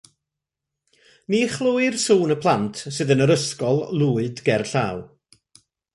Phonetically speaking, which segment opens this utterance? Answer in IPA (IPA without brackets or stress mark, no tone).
n